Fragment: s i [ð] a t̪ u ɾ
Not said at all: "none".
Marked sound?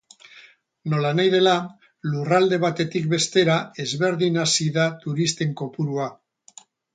ð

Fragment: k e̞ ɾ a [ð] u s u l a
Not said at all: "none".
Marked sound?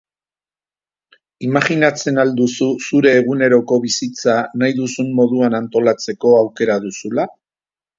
ð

